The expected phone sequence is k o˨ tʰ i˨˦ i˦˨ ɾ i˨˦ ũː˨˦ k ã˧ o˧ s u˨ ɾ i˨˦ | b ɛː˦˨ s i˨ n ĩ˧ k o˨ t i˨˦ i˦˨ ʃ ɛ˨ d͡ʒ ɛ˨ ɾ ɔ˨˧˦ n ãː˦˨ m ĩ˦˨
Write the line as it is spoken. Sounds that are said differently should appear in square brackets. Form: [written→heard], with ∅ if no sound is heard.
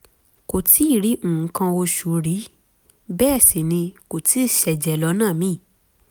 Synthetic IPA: k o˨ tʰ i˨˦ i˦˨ ɾ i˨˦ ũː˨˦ k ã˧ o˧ [s→ʃ] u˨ ɾ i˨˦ | b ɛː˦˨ s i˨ n ĩ˧ k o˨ t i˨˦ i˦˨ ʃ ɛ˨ d͡ʒ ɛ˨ [ɾ→l] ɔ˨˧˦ n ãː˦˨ m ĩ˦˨